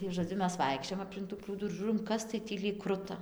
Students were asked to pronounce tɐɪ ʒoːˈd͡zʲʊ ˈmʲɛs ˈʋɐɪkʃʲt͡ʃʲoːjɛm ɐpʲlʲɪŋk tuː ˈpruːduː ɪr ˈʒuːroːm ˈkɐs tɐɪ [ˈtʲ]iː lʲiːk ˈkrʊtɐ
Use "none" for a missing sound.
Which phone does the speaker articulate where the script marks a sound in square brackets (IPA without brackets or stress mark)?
tʲ